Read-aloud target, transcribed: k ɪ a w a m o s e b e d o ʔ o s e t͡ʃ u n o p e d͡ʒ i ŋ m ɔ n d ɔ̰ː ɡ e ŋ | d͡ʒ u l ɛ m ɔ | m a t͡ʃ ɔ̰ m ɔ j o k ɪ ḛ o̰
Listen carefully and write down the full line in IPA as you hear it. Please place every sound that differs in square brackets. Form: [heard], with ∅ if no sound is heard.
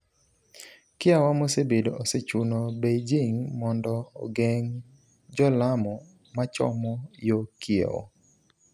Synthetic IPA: k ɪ a w a m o s e b e d o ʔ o s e t͡ʃ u n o [b] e d͡ʒ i ŋ m ɔ n d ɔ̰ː ɡ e ŋ | d͡ʒ [ɔ] l [a] m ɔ | m a t͡ʃ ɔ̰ m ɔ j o k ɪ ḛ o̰